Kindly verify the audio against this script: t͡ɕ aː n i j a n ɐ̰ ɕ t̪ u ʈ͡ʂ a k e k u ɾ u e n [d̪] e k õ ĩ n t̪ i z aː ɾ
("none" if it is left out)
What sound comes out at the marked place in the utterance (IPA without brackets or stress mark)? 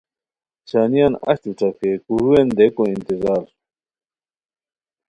d̪